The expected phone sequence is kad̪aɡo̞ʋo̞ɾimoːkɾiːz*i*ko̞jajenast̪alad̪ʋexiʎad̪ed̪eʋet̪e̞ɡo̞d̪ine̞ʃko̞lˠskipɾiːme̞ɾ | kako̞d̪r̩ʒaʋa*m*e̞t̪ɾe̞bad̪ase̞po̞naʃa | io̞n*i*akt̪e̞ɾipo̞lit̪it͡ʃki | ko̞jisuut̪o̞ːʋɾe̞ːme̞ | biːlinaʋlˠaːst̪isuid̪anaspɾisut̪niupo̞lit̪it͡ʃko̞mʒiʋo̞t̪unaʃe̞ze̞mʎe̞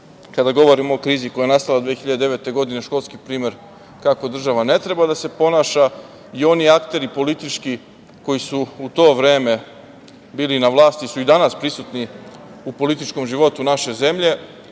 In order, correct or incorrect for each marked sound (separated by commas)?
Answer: correct, incorrect, correct